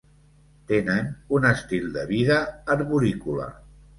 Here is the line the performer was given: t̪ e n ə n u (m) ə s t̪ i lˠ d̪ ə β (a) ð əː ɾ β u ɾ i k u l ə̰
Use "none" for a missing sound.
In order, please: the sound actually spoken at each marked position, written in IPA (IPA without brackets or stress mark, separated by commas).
n, i